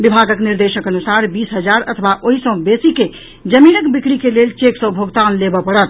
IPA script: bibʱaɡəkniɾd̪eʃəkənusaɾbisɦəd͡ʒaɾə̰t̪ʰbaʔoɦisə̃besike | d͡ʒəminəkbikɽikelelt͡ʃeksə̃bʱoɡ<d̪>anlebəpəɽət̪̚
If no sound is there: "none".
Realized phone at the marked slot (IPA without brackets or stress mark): t̪